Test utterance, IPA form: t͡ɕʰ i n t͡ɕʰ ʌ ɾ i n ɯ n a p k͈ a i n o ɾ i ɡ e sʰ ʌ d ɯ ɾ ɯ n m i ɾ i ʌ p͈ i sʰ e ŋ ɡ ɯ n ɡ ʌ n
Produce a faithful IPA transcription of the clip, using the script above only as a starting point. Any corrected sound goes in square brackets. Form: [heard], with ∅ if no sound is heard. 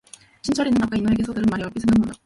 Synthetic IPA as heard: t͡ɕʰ i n t͡ɕʰ ʌ ɾ i n ɯ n a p k͈ a i n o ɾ [e] ɡ e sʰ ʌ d ɯ ɾ ɯ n m [a] ɾ i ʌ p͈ i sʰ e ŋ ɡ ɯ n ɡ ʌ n